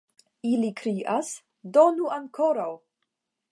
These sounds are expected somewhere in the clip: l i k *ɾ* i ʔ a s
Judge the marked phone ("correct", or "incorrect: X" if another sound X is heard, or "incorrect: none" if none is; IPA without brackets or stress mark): correct